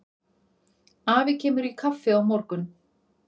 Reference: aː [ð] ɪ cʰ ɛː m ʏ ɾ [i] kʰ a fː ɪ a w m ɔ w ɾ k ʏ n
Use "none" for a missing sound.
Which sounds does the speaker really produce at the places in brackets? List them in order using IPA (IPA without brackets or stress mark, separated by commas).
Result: v, i